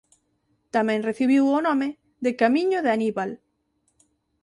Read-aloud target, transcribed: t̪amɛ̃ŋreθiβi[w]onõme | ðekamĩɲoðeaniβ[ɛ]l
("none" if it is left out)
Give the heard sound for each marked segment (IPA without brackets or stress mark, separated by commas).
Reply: w, a